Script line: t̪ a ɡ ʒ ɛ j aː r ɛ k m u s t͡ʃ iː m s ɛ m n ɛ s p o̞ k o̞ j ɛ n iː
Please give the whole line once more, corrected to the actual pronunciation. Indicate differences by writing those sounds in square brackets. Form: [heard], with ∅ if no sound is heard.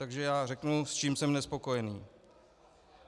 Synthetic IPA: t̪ a ɡ ʒ ɛ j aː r ɛ k [n] u s t͡ʃ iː m s ɛ m n ɛ s p o̞ k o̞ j ɛ n iː